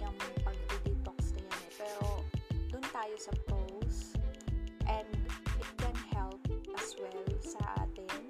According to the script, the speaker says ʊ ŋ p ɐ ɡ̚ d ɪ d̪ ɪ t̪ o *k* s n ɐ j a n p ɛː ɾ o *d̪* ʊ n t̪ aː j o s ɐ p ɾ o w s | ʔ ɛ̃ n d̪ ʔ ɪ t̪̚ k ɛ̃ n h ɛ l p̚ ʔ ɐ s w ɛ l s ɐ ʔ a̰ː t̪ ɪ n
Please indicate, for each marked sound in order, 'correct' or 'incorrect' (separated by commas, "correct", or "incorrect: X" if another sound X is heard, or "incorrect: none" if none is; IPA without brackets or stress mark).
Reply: correct, correct